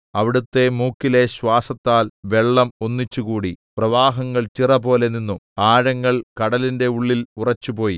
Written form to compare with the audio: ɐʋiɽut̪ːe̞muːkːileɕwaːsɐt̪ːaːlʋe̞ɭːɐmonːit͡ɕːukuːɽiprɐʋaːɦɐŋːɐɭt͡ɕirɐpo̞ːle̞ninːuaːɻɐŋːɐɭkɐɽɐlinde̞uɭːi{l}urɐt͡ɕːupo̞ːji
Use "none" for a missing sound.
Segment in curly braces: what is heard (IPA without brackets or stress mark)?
l